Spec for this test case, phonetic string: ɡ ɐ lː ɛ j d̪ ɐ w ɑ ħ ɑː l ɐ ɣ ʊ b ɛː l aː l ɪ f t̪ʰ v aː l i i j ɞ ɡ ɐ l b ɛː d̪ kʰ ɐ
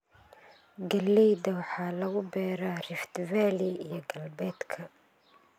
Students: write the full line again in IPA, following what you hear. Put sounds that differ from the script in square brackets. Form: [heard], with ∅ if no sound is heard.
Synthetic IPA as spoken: ɡ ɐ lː ɛ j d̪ ɐ w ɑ ħ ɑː l ɐ ɣ ʊ b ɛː [ɾ] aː [r] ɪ f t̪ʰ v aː l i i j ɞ ɡ ɐ l b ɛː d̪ kʰ ɐ